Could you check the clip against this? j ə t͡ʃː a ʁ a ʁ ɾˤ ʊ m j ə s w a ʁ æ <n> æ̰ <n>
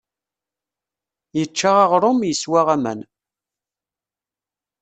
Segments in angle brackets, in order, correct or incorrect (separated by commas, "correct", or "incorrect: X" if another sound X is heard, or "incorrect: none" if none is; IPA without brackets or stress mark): incorrect: m, correct